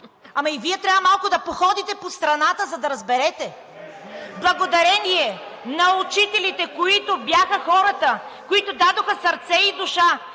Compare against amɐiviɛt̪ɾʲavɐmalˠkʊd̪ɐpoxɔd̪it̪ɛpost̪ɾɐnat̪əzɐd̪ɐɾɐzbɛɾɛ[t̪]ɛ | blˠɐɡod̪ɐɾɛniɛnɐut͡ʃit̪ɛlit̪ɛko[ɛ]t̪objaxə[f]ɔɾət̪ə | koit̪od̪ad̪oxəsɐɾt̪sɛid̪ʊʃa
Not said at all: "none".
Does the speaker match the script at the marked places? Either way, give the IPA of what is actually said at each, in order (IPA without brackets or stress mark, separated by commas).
t̪, i, x